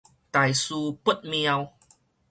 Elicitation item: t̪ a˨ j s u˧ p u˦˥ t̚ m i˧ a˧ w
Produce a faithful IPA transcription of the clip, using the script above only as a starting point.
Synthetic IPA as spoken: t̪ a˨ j s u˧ p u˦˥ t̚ m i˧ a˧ w